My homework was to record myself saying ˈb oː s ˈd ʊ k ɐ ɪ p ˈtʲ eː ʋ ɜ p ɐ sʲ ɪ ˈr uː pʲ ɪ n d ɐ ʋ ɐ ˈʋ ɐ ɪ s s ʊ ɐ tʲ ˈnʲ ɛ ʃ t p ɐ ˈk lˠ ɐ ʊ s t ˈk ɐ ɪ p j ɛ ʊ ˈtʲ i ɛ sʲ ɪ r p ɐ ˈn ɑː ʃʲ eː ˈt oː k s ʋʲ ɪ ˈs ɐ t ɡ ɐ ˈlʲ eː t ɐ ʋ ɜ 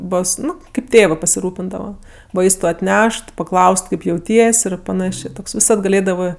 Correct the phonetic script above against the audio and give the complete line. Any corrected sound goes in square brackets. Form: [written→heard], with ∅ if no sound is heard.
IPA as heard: ˈb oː s [ˈd→ˈn] ʊ k ɐ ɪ p ˈtʲ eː ʋ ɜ p ɐ sʲ ɪ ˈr uː pʲ ɪ n d ɐ ʋ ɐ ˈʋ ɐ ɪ s [s→t] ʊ ɐ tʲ ˈnʲ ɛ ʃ t p ɐ ˈk lˠ ɐ ʊ s t ˈk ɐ ɪ p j ɛ ʊ ˈtʲ i ɛ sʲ ɪ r p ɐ ˈn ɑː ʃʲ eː ˈt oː k s ʋʲ ɪ ˈs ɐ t ɡ ɐ ˈlʲ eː [t→d] ɐ ʋ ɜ